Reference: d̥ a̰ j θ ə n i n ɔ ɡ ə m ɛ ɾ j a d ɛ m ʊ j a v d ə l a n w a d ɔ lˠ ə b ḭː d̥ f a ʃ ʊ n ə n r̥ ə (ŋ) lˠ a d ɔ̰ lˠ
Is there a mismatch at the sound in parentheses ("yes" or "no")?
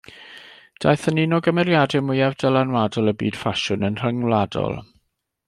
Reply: no